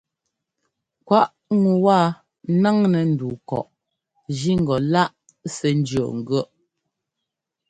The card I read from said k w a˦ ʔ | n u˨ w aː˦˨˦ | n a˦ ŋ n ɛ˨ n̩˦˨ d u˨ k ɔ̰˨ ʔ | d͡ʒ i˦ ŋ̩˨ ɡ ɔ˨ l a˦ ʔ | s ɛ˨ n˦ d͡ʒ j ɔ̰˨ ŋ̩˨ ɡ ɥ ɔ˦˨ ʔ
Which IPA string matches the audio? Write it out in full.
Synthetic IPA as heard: k w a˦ ʔ | ŋ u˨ w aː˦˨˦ | n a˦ ŋ n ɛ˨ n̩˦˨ d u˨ k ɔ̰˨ ʔ | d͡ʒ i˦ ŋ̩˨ ɡ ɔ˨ l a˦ ʔ | s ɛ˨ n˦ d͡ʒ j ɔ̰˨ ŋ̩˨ ɡ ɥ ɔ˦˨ ʔ